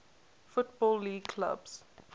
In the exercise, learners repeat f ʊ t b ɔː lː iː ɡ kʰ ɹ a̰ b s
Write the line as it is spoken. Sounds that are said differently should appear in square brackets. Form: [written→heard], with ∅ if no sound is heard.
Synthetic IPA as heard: f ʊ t b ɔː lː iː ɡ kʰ [ɹ→l] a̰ b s